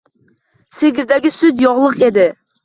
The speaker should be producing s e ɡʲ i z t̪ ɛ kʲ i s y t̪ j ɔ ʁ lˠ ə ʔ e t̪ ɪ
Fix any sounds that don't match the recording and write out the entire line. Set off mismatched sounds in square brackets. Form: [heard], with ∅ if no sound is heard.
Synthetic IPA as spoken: s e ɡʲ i z [d̪] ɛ [ɡʲ] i s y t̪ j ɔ ʁ lˠ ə [q] e [d̪] ɪ